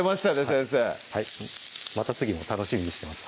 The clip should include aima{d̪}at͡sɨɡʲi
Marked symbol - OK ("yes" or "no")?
no